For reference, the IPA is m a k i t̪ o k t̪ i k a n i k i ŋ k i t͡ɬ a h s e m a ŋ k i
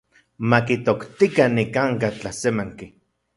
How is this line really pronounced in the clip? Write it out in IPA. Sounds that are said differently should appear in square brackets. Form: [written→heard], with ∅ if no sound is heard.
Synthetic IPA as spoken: m a k i t̪ o k t̪ i k a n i k [i→a] ŋ k [i→a] t͡ɬ a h s e m a ŋ k i